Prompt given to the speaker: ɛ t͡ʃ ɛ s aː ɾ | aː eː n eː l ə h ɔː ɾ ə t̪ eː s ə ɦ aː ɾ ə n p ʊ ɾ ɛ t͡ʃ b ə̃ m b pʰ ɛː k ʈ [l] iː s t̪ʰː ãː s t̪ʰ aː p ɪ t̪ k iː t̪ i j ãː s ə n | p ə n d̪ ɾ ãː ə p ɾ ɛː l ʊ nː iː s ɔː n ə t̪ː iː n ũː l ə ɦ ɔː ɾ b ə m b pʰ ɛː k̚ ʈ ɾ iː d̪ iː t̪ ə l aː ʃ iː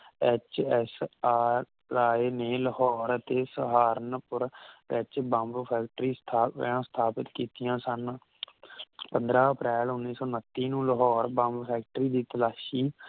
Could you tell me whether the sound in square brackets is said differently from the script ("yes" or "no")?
yes